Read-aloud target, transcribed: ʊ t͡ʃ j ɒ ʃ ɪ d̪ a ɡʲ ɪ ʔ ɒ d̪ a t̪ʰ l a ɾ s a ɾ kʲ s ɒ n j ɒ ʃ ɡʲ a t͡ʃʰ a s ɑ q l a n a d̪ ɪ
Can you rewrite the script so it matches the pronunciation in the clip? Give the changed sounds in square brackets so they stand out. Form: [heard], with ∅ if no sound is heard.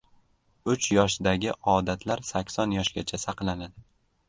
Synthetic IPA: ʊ t͡ʃ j ɒ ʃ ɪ d̪ a ɡʲ ɪ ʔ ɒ d̪ a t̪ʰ l a ɾ s a [∅] kʲ s ɒ n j ɒ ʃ ɡʲ a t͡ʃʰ a s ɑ q l a n a d̪ ɪ